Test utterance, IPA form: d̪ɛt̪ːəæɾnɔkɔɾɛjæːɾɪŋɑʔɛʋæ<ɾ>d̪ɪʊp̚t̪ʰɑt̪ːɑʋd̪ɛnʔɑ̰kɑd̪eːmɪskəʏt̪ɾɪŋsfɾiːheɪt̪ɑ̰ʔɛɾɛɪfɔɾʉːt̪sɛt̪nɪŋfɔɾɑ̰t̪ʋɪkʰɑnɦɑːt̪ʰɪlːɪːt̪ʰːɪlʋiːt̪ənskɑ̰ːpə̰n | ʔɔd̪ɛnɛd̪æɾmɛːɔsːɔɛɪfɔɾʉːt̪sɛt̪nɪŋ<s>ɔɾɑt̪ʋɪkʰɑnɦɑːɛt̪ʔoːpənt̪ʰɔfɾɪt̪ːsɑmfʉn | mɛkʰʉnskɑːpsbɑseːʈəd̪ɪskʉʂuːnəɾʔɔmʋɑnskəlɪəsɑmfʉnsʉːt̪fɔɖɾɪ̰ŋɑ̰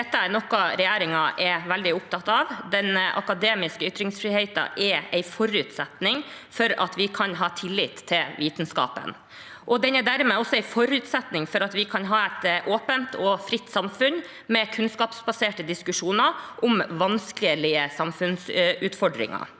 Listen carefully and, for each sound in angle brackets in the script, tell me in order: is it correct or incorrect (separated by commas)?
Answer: incorrect, incorrect